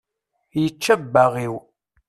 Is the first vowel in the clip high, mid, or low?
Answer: mid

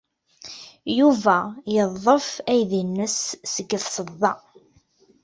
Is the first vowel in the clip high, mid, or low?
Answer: high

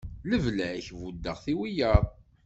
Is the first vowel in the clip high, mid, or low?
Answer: mid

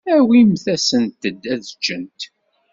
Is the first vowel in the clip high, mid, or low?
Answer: low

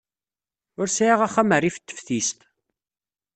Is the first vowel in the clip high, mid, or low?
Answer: high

